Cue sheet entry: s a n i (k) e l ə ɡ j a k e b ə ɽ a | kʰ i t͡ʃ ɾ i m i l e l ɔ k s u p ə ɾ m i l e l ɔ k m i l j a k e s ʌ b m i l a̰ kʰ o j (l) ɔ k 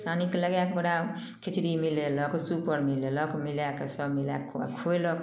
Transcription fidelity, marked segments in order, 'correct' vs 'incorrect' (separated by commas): correct, correct